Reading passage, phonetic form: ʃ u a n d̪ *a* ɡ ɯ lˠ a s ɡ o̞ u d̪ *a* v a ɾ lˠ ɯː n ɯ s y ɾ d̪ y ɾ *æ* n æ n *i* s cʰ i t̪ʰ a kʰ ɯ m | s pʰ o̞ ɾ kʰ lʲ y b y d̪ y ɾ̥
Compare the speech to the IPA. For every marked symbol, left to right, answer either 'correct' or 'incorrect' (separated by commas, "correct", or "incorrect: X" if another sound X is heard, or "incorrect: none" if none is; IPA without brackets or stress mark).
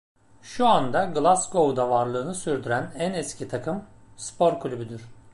correct, correct, correct, incorrect: ɛ